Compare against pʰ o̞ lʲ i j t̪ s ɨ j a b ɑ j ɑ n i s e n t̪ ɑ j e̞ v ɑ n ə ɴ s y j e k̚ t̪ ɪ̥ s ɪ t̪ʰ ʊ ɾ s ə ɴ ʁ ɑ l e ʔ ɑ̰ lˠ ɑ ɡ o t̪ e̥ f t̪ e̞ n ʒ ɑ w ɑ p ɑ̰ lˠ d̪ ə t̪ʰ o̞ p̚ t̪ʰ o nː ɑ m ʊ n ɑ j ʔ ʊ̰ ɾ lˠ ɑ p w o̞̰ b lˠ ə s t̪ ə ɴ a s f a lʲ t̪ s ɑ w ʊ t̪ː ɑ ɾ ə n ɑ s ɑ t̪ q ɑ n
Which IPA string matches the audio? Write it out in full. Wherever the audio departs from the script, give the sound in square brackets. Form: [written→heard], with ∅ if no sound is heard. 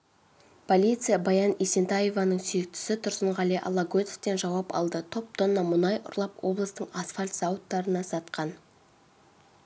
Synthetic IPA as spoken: pʰ o̞ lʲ i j t̪ s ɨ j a b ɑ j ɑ n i s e n t̪ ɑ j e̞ v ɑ n ə ɴ s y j e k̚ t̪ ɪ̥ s ɪ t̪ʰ ʊ ɾ s ə ɴ ʁ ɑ l e ʔ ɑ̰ lˠ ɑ ɡ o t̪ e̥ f t̪ e̞ n ʒ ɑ w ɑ p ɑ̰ lˠ d̪ ə t̪ʰ o̞ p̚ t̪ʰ o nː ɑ m ʊ n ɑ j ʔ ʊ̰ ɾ lˠ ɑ p w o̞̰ b lˠ ə s t̪ ə ɴ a s f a lʲ t̪ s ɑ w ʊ t̪ː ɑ ɾ ə n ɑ s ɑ t̪ q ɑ n